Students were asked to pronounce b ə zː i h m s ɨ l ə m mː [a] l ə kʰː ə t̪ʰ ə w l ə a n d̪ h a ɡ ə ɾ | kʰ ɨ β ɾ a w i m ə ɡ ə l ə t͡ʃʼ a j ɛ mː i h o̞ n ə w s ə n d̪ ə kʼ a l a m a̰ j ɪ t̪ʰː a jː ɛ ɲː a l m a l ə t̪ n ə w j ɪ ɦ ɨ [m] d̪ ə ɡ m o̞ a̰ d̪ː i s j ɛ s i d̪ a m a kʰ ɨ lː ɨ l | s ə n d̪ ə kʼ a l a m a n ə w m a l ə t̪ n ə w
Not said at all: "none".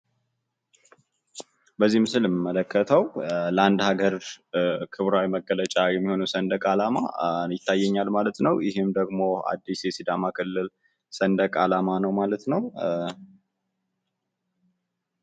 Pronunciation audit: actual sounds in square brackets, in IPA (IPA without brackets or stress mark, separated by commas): ə, m